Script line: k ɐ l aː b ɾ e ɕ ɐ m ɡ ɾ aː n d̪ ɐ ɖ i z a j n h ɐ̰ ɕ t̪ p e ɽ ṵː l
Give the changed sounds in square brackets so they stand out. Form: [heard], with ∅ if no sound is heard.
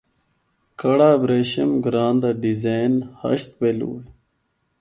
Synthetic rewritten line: k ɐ [ɽ] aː b ɾ e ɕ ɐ m ɡ ɾ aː n d̪ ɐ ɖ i z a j n h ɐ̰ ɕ t̪ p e [l] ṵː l